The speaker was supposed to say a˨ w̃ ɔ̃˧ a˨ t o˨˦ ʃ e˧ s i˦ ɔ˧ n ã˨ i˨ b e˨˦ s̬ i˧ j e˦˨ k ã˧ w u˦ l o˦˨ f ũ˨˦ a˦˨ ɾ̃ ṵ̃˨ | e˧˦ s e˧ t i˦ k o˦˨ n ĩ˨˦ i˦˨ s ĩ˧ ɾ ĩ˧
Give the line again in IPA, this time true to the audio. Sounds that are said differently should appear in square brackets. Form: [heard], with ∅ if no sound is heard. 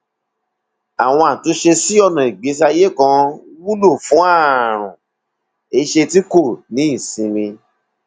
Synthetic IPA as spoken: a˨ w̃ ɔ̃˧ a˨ t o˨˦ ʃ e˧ s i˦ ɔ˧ n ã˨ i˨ [ɡ͡b] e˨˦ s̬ [a˧] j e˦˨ k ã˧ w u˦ l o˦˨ f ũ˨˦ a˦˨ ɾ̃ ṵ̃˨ | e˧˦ [ʃ] e˧ t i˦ k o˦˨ n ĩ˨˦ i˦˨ s ĩ˧ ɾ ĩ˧